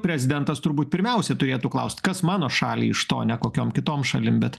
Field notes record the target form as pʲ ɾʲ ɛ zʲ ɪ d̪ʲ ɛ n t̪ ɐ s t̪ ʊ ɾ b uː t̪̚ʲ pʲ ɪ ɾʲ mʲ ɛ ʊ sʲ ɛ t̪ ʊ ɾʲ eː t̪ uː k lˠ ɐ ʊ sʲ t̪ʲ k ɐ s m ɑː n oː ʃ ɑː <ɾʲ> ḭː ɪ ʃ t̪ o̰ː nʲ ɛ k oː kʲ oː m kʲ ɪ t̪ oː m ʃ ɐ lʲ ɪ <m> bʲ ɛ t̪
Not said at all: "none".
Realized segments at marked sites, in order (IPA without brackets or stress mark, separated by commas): lʲ, m